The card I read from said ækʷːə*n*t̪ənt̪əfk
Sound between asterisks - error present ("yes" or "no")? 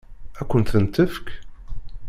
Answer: no